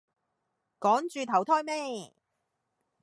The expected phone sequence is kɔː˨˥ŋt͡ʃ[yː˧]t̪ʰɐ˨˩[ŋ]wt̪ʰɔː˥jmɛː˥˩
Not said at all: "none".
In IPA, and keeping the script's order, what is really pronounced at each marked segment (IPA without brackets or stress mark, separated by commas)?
yː˧, none